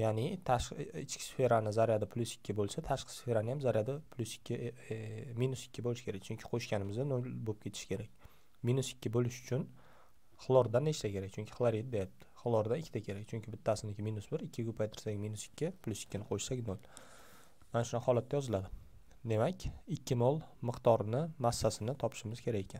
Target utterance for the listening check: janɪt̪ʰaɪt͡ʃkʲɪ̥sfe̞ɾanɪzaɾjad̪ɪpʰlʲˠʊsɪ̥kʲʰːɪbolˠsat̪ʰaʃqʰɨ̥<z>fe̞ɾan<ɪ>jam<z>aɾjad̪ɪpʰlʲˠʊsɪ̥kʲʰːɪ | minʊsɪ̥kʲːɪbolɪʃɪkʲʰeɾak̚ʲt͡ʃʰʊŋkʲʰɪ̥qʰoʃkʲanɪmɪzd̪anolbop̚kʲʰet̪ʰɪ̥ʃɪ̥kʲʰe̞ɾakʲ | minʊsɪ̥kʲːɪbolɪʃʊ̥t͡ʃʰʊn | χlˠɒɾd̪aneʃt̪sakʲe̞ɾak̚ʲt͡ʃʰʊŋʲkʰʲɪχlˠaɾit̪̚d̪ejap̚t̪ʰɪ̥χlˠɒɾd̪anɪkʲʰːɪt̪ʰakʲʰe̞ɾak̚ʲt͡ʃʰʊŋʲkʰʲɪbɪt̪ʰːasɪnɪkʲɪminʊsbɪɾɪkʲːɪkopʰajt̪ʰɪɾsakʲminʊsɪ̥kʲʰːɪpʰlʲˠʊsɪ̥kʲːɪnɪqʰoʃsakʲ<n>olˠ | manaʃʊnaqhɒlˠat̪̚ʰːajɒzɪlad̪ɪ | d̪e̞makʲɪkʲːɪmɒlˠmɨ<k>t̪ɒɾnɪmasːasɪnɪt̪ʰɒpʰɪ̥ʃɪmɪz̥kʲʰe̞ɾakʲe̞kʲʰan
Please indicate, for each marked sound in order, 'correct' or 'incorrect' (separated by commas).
incorrect, correct, correct, correct, incorrect